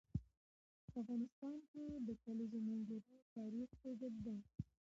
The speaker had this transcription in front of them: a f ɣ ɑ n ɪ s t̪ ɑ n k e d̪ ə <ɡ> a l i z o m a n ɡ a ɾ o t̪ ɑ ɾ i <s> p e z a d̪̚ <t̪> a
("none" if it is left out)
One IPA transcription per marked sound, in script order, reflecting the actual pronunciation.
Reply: k, x, d̪

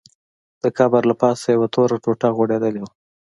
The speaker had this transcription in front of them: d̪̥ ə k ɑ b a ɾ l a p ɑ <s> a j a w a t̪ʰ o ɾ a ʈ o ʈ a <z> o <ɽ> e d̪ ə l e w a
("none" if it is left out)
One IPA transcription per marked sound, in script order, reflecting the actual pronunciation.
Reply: s, ɣ, ɽ

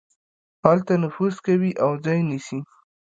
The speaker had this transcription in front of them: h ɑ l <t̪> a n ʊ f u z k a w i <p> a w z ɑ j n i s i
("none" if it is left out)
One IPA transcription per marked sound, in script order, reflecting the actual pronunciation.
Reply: t̪, ʔ

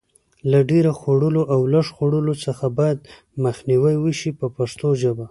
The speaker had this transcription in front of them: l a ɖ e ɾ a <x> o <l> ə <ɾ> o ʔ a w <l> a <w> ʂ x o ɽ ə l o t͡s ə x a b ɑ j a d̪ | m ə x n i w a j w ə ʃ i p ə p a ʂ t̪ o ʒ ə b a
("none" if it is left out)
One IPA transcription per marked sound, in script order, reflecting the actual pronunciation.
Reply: x, ɽ, l, l, none

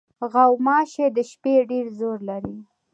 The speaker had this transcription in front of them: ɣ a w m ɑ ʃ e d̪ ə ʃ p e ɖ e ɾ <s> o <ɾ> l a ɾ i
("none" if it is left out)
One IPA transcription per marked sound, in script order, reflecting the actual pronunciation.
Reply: z, ɾ

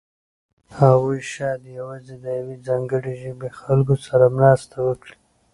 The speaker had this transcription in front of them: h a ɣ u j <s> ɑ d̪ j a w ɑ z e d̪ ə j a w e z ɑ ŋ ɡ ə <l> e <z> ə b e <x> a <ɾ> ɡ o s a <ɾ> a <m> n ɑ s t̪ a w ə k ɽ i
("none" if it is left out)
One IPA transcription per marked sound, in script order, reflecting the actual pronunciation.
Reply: ʃ, ɽ, ʒ, x, l, ɾ, m

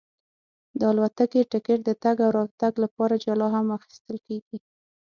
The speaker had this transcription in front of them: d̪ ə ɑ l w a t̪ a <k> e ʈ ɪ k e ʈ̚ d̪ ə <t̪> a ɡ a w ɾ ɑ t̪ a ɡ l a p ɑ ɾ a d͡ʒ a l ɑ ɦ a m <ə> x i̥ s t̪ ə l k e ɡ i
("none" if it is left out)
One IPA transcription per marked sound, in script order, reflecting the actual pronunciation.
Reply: k, t̪, a

